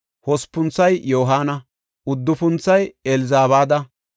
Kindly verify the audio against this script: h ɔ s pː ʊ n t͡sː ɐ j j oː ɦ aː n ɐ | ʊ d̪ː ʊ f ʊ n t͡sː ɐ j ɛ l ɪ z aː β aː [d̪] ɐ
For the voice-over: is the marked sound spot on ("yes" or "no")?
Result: yes